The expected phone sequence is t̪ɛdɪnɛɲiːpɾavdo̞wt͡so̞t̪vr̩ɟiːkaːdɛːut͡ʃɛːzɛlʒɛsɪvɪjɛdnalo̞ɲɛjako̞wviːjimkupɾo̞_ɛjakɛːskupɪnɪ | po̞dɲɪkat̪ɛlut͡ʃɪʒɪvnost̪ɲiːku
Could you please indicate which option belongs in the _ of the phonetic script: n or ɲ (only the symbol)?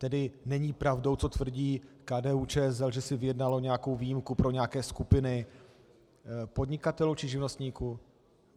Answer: ɲ